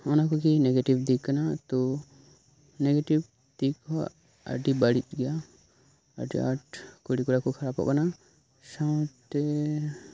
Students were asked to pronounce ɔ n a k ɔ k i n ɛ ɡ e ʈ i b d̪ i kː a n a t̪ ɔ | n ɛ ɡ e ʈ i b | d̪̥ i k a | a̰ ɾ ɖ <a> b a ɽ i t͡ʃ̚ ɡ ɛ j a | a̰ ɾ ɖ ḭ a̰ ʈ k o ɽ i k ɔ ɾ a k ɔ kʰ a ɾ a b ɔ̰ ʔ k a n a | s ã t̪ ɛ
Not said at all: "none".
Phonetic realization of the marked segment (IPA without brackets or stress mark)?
i